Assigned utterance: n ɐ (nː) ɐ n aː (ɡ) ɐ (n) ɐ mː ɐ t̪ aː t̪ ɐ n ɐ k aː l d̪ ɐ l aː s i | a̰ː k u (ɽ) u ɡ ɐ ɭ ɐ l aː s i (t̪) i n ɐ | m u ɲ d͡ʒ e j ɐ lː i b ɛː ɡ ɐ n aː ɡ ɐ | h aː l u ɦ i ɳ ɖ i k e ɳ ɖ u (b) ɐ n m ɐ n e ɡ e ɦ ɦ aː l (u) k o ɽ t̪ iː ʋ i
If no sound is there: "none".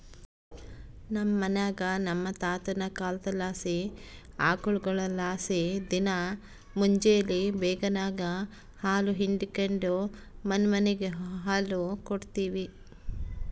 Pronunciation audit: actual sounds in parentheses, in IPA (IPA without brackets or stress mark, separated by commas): mː, ɡ, n, ɭ, d̪, m, u